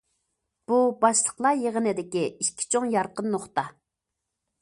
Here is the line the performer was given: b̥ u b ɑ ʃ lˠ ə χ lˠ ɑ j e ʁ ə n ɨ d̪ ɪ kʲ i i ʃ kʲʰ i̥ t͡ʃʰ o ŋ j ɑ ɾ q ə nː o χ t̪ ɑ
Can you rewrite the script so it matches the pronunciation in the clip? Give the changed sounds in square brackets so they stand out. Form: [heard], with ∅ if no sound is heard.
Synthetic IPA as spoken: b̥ u b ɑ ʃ lˠ ə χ lˠ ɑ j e ʁ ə n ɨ d̪ ɪ kʲ i i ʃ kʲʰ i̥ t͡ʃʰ o ŋ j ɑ ɾ q ə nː o χ t̪ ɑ

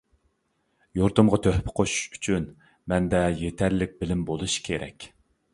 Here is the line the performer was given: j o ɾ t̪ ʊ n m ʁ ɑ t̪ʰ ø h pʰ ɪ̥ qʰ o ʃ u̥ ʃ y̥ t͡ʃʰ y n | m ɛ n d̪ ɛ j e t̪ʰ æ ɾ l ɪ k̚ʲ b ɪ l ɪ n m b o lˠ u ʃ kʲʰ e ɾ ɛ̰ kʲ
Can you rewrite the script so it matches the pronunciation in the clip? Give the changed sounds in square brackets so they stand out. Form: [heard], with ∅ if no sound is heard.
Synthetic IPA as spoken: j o ɾ t̪ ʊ [∅] m ʁ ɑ t̪ʰ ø h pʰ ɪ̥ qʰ o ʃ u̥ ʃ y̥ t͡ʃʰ y n | m ɛ n d̪ ɛ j e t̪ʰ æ ɾ l ɪ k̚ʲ b ɪ l ɪ [∅] m b o lˠ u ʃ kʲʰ e ɾ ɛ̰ kʲ

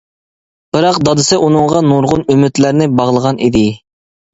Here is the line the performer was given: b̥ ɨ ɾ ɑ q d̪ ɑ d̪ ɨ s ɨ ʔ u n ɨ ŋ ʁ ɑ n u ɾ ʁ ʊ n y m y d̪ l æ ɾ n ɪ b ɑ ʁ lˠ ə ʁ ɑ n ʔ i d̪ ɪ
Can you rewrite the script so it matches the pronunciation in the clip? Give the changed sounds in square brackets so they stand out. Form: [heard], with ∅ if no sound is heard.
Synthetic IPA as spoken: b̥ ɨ ɾ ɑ q d̪ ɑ d̪ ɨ s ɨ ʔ u n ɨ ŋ ʁ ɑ n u ɾ ʁ ʊ n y m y [t̪] l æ ɾ n ɪ b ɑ ʁ lˠ ə ʁ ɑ n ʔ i d̪ ɪ

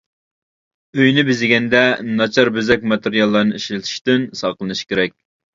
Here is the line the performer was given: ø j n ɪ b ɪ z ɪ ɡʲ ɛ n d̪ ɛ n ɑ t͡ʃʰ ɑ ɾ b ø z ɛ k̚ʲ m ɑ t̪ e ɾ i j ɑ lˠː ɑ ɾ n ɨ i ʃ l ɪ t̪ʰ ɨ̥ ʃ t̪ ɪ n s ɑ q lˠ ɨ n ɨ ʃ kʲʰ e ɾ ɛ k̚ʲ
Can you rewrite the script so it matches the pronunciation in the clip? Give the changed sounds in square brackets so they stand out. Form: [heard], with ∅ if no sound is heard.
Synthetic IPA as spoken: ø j n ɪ b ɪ z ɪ ɡʲ ɛ n d̪ ɛ n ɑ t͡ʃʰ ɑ ɾ b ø z ɛ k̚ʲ m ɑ t̪ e ɾ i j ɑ lˠː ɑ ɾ n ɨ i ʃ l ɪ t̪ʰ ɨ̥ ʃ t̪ ɪ n s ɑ q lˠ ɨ n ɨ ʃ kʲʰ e ɾ ɛ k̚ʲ

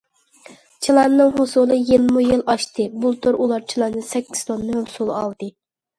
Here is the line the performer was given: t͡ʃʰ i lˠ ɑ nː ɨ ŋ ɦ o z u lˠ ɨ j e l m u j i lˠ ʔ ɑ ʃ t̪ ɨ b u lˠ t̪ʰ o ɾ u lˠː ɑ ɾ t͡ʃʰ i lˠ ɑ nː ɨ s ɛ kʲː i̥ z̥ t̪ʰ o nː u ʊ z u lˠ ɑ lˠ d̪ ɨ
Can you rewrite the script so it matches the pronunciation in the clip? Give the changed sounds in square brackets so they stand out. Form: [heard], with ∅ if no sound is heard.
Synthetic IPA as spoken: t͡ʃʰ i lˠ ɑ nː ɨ ŋ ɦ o [s] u lˠ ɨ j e l m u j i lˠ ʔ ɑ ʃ t̪ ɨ b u lˠ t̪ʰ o ɾ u [lˠ] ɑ ɾ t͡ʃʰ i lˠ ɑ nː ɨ s ɛ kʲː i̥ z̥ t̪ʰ o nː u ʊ [s] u lˠ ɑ lˠ d̪ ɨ

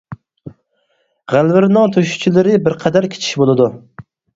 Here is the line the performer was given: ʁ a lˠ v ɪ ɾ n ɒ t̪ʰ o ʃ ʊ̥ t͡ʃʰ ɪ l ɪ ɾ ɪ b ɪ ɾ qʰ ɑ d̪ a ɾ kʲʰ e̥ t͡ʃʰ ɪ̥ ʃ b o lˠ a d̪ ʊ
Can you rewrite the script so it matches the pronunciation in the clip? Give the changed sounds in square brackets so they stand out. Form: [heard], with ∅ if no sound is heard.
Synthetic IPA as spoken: ʁ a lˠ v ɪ ɾ n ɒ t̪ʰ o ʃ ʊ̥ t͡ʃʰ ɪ l ɪ ɾ ɪ b ɪ ɾ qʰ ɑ d̪ a ɾ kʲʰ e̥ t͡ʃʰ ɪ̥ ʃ b o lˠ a d̪ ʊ

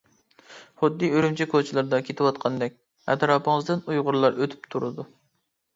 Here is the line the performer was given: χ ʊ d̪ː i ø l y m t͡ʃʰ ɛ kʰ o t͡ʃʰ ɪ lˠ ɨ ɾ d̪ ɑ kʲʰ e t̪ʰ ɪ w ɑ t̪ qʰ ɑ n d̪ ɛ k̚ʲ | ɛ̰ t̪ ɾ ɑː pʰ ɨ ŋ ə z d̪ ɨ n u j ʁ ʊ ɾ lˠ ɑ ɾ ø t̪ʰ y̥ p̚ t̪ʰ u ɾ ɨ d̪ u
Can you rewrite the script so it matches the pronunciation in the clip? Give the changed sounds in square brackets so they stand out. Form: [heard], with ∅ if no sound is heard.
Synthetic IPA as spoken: χ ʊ d̪ː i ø [ɾ] y m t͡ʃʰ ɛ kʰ o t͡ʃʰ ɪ lˠ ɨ ɾ d̪ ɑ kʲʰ e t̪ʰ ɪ w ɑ t̪ qʰ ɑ n d̪ ɛ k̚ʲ | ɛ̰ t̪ ɾ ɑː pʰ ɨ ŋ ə z d̪ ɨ n u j ʁ ʊ ɾ lˠ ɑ ɾ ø t̪ʰ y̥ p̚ t̪ʰ u ɾ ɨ d̪ u

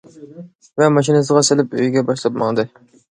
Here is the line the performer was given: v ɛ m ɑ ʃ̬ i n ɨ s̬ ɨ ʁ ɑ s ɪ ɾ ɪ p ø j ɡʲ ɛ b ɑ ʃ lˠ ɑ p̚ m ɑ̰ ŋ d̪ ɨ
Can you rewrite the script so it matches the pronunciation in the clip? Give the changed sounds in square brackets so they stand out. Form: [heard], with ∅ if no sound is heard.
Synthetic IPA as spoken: v ɛ m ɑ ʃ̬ i n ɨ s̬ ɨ ʁ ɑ s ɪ [l] ɪ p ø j ɡʲ ɛ b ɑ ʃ lˠ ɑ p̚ m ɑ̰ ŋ d̪ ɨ

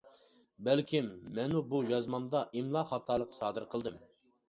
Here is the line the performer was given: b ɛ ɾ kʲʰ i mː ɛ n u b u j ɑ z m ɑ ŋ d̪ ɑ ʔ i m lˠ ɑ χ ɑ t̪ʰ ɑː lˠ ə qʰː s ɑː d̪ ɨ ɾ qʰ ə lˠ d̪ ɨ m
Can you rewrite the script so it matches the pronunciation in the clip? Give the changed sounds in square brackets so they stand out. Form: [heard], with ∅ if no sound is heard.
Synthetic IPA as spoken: b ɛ [l] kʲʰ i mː ɛ n u b u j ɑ z m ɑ [m] d̪ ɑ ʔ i m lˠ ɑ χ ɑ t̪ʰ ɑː lˠ ə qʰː s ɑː d̪ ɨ ɾ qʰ ə lˠ d̪ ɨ m

